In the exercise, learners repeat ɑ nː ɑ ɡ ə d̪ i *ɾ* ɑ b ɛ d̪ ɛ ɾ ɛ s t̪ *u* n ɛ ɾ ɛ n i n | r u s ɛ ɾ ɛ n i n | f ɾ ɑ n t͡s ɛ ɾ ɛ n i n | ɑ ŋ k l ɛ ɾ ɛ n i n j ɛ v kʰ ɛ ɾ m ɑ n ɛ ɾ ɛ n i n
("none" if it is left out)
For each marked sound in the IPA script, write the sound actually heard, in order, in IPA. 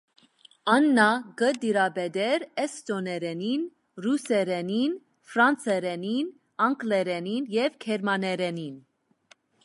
ɾ, ɔ

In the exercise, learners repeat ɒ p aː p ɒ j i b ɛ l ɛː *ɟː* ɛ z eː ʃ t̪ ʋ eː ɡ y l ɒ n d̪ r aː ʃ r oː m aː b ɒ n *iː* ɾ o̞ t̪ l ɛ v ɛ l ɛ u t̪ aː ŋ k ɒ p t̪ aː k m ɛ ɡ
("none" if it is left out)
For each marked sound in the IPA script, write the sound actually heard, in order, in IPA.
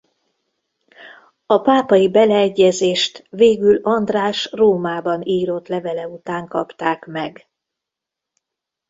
ɟː, iː

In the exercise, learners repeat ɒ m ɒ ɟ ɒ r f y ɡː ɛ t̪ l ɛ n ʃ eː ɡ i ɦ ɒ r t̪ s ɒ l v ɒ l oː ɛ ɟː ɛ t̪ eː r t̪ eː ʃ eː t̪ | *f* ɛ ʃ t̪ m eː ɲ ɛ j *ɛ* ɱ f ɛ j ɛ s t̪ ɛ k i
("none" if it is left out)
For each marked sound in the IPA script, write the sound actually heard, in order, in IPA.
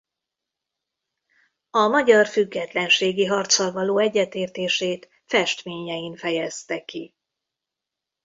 f, i

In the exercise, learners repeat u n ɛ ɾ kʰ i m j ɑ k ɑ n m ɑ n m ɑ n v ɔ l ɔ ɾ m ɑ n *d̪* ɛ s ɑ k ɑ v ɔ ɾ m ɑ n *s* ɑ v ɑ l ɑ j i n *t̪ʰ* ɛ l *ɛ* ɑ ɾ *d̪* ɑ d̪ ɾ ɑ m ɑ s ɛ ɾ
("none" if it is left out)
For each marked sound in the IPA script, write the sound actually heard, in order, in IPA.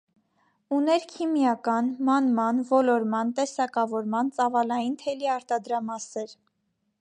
t̪, t͡s, t̪ʰ, i, t̪

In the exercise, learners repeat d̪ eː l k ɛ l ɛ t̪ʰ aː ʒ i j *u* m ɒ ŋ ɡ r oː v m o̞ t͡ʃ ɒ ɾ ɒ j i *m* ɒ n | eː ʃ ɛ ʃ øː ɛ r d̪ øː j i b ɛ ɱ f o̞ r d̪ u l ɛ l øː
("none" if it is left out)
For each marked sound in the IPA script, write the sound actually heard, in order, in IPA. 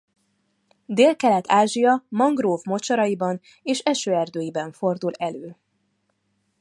ɒ, b

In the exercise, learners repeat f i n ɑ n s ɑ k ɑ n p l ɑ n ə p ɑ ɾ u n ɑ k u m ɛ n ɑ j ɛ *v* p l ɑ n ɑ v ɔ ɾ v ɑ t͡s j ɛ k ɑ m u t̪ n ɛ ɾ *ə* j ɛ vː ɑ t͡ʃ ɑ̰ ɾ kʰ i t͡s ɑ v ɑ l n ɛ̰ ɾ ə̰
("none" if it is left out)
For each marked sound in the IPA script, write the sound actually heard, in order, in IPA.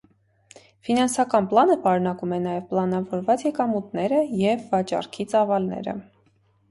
v, ə

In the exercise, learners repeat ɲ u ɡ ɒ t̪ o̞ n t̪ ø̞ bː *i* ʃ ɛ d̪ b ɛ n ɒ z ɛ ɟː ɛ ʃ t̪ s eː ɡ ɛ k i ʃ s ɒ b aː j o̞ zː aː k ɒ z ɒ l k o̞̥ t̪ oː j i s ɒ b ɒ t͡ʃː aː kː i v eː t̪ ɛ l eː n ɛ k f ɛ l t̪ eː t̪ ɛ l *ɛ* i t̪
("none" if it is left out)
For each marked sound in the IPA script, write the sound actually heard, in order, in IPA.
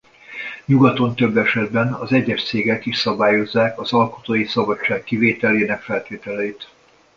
ɛ, ɛ

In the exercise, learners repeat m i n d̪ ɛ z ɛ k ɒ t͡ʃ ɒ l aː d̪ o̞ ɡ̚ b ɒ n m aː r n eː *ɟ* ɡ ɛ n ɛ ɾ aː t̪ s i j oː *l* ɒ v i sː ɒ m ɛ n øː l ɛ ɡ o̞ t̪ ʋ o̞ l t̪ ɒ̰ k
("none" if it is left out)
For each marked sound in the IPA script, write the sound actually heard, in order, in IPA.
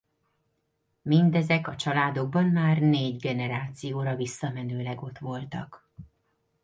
ɟ, ɾ

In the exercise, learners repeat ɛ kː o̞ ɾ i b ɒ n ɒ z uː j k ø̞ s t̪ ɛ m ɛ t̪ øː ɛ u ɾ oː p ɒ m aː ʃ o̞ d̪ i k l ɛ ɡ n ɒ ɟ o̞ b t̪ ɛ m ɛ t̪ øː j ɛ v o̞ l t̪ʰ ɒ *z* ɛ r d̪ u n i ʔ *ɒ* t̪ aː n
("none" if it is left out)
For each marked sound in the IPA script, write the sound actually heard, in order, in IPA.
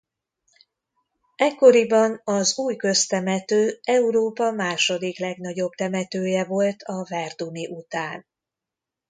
v, u

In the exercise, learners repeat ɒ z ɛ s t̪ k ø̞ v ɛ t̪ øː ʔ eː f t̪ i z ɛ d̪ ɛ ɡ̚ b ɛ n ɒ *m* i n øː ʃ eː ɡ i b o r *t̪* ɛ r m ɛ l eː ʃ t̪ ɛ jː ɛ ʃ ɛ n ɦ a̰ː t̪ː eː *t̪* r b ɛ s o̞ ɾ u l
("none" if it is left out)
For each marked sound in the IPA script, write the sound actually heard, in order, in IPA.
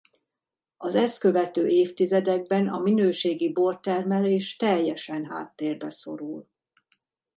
m, t̪, none

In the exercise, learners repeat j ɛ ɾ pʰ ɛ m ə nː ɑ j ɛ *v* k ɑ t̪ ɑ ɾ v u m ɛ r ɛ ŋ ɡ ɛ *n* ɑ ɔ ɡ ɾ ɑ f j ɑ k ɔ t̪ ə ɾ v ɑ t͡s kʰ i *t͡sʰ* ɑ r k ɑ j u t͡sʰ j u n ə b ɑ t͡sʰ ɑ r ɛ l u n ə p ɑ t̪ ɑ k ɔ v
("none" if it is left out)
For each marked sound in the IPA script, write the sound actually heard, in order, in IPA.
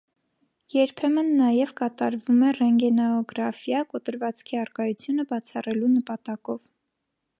v, n, none

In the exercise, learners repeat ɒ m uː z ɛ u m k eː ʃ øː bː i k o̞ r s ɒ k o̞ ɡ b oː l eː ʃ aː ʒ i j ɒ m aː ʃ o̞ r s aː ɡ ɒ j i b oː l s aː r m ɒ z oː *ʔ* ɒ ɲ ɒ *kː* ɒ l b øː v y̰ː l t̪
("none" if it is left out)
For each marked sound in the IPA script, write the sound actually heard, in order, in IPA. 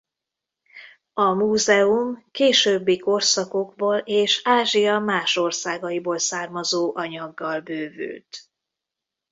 ʔ, ɡː

